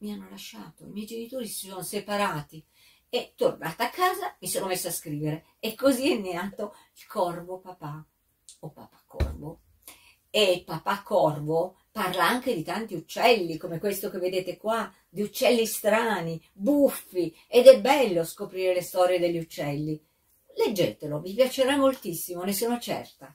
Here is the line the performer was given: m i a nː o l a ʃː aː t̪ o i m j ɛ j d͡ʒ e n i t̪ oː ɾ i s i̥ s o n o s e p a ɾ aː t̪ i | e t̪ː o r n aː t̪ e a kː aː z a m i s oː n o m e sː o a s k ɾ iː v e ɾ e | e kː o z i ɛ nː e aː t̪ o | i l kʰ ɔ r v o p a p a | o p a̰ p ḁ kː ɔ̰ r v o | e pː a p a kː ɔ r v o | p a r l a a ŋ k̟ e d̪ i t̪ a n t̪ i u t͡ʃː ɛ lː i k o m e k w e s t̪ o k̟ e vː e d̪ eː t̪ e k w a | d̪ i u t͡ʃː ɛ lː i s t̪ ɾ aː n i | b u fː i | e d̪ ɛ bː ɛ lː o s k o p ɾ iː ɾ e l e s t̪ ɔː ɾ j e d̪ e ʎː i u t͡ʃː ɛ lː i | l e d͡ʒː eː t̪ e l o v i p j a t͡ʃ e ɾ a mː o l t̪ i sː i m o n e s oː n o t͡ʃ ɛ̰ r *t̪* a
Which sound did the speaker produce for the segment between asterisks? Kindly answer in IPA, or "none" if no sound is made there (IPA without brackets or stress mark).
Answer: t̪